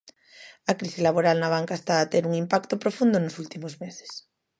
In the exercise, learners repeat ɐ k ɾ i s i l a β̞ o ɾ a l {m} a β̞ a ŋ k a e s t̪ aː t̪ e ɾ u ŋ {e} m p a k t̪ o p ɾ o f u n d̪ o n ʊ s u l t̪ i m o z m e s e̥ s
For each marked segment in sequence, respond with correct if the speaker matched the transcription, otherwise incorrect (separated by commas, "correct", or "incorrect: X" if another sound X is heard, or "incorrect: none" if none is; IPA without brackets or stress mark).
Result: incorrect: n, incorrect: i